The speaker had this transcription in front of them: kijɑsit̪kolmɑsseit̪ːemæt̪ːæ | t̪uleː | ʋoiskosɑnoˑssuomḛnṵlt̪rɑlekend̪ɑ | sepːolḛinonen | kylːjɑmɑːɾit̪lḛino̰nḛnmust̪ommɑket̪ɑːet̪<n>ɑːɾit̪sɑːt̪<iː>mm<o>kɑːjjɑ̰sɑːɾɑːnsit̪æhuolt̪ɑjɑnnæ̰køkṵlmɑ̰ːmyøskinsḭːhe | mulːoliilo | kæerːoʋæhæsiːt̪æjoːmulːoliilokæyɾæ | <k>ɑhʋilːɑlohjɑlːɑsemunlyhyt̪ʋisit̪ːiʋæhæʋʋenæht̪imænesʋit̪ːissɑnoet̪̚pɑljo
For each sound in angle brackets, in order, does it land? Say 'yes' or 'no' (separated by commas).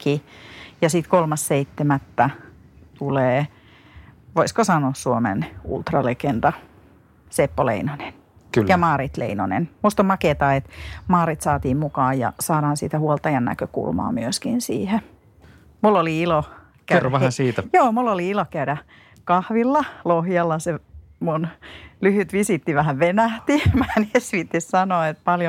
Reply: no, yes, no, yes